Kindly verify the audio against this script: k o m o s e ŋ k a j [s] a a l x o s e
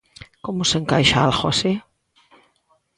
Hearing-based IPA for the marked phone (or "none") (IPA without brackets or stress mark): ʃ